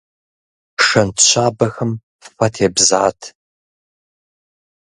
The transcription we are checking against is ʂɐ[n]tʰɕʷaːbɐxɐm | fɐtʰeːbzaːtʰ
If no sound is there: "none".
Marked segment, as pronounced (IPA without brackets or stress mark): n